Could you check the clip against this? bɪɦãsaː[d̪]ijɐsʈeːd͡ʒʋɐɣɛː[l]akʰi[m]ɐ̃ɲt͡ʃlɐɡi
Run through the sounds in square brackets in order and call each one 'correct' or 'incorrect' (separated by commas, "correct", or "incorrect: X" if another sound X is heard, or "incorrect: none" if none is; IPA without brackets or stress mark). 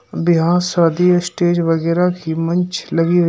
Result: correct, incorrect: ɾ, correct